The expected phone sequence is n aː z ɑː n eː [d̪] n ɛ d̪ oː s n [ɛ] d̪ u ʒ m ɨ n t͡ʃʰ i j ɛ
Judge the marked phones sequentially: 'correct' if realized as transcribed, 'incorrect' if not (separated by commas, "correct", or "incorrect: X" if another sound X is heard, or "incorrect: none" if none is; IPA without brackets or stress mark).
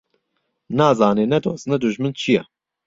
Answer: incorrect: none, correct